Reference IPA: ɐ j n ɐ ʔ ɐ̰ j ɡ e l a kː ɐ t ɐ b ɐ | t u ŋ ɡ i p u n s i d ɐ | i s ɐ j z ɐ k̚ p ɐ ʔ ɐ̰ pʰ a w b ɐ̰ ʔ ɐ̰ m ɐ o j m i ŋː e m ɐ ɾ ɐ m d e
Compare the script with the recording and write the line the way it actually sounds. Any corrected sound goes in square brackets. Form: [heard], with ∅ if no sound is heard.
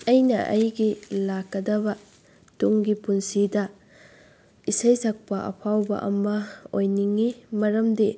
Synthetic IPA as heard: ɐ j n ɐ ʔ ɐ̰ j ɡ [i] l a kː ɐ [d] ɐ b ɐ | t u ŋ ɡ i p u n s i d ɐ | i s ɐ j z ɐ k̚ p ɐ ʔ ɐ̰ pʰ a w b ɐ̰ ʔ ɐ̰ m ɐ o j [n] i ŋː [i] m ɐ ɾ ɐ m d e

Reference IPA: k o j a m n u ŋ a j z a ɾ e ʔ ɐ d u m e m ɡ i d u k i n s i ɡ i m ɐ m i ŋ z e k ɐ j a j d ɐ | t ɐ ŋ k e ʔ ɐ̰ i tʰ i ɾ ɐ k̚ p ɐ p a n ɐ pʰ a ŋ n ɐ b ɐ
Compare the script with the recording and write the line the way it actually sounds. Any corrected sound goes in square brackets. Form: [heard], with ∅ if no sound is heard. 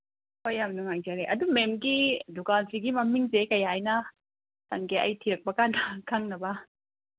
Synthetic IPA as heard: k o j a m n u ŋ a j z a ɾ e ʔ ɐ d u m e m ɡ i d u k [a] n s i ɡ i m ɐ m i ŋ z e k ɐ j a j [n] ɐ | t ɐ ŋ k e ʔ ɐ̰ [j] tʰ i ɾ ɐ k̚ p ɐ [k] a n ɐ [kʰ] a ŋ n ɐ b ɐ

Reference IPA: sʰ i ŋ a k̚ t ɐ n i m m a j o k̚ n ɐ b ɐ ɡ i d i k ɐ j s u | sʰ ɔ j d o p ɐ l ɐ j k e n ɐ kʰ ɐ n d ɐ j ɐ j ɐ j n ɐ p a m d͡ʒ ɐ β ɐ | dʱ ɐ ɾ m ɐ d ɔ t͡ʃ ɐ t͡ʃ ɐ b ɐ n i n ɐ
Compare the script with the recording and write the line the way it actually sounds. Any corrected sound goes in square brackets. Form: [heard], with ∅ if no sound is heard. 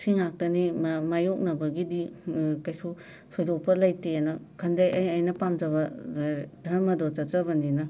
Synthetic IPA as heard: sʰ i ŋ a k̚ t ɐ n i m m a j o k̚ n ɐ b ɐ ɡ i d i k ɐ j s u | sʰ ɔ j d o p ɐ l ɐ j [t] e n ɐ kʰ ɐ n d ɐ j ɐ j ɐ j n ɐ p a m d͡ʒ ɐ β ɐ | dʱ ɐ ɾ m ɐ d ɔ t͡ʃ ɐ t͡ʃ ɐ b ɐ n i n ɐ

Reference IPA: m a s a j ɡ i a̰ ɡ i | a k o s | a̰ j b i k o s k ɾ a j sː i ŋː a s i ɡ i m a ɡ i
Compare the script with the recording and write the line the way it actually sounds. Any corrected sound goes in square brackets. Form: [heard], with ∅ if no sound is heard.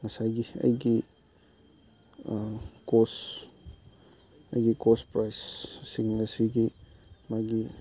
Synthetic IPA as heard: [ŋ] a s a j ɡ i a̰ ɡ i | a k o s | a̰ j [ɡ] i k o s [p] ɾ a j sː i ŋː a s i ɡ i m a ɡ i

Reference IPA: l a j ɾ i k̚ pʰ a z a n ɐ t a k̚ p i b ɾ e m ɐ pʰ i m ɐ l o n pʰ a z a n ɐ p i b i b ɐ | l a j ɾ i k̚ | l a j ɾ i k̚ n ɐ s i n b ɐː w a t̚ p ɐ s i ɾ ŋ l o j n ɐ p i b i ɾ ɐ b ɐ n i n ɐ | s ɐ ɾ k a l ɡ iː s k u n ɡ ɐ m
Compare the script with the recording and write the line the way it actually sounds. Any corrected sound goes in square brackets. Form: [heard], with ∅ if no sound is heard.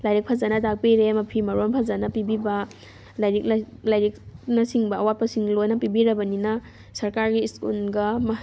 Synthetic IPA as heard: l a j ɾ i k̚ pʰ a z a n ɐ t a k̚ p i [∅] ɾ e m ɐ pʰ i m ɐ [ɾ] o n pʰ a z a n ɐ p i b i b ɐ | l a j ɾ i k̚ | l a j ɾ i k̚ n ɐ s i [ŋ] b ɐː w a t̚ p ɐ s i [∅] ŋ l o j n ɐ p i b i ɾ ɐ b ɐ n i n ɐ | s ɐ ɾ k a [ɾ] ɡ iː s k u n ɡ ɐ m

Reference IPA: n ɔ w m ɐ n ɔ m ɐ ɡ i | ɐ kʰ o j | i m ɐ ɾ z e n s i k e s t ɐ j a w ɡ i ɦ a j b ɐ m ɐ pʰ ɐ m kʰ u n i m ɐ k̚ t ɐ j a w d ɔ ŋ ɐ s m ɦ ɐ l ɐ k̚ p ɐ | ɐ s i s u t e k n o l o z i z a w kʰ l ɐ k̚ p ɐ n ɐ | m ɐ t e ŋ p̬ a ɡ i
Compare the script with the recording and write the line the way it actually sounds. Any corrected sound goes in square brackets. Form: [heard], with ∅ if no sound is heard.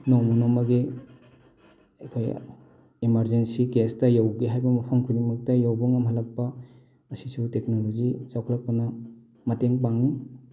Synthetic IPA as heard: n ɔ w m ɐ n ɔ m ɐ ɡ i | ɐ kʰ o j | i m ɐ ɾ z e n s i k e s t ɐ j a w ɡ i ɦ a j b ɐ m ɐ pʰ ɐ m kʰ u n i m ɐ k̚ t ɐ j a w [b] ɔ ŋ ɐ [∅] m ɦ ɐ l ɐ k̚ p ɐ | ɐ s i s u t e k n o l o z i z a w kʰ l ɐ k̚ p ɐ n ɐ | m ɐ t e ŋ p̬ a [ŋ] i

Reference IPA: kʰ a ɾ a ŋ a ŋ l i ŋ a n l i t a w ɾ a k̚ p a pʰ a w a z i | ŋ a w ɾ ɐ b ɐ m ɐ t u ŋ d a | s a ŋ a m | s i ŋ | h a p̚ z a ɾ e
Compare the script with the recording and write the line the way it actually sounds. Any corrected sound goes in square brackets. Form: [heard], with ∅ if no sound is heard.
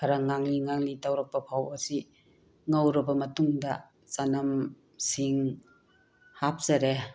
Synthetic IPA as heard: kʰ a ɾ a ŋ a ŋ l i ŋ a [ŋ] l i t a w ɾ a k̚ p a pʰ a w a [s] i | ŋ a w ɾ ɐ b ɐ m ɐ t u ŋ d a | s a [n] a m | s i ŋ | h a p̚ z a ɾ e

